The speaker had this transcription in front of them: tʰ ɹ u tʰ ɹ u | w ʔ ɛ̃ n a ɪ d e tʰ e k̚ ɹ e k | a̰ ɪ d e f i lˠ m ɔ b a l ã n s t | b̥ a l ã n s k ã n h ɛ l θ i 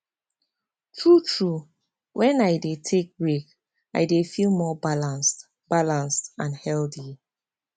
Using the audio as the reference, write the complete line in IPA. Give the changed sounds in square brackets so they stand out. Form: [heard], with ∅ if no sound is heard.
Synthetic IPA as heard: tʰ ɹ u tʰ ɹ u | w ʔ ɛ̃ n a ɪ d e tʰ e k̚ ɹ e k | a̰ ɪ d e f i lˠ m ɔ b a l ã n s t | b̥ a l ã n s [t] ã n h ɛ l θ i